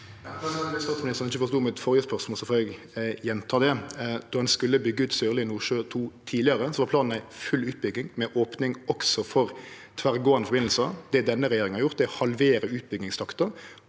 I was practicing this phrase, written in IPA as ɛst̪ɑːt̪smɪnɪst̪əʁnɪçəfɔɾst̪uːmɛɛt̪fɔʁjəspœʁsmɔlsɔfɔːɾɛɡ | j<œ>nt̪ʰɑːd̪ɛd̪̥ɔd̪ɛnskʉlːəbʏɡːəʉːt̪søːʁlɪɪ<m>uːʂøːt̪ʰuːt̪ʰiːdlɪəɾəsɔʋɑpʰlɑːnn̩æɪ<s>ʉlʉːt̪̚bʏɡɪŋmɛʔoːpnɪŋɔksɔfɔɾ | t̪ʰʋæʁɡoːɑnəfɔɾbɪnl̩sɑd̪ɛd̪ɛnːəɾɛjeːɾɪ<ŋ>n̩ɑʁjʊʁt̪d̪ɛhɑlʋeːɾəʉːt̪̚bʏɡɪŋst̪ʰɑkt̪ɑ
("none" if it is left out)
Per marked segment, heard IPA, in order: ɛ, n, f, ŋ

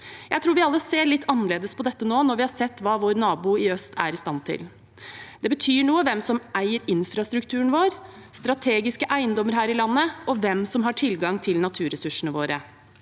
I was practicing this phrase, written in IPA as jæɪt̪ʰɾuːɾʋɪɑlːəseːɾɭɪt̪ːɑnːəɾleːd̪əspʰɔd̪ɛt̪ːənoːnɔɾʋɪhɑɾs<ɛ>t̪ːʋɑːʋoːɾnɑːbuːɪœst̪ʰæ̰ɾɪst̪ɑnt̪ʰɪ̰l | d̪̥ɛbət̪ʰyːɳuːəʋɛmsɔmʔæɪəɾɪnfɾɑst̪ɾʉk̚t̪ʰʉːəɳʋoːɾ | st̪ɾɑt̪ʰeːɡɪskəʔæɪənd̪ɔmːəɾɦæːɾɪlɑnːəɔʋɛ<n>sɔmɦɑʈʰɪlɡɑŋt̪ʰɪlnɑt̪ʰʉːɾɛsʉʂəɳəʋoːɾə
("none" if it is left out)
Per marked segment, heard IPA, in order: ɛ, m

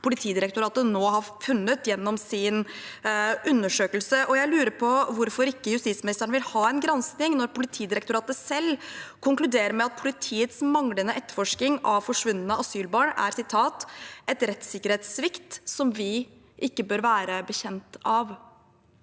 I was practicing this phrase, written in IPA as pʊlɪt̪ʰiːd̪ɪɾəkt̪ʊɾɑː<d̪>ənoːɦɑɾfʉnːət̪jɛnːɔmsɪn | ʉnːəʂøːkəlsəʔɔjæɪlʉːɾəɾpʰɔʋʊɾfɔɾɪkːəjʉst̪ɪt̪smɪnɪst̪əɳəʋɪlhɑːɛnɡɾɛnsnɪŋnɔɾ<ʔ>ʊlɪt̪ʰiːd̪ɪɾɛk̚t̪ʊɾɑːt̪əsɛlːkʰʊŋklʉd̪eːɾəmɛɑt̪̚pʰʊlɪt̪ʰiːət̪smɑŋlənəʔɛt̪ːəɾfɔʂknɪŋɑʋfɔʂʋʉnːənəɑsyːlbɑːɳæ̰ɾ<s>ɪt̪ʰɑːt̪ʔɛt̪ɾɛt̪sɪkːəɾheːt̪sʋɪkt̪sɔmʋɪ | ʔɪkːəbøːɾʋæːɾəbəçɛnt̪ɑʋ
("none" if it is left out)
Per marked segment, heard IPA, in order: t̪, p, s

